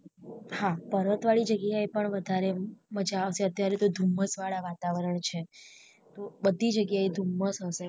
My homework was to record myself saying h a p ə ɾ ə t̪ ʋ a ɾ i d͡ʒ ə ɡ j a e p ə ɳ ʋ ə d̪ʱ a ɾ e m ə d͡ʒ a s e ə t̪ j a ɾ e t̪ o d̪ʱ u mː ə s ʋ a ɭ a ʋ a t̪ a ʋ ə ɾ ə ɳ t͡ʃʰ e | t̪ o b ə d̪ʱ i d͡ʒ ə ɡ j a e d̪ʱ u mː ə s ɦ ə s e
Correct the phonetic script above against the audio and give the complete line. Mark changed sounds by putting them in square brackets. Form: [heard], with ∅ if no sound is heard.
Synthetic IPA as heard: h a p ə ɾ ə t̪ ʋ a [ɭ] i d͡ʒ ə ɡ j a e p ə ɳ ʋ ə d̪ʱ a ɾ e m ə d͡ʒ a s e ə t̪ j a ɾ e t̪ o d̪ʱ u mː ə s ʋ a ɭ a ʋ a t̪ a ʋ ə ɾ ə ɳ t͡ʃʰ e | t̪ o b ə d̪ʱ i d͡ʒ ə ɡ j a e d̪ʱ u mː ə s ɦ ə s e